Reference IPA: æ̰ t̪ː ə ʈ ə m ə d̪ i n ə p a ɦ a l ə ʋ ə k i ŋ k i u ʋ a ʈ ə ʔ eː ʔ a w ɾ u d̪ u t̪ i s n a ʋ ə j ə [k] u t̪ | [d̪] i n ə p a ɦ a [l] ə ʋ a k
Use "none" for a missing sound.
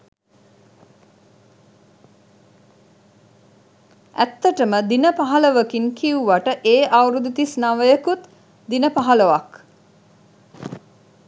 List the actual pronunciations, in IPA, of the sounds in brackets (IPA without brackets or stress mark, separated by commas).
k, d̪, l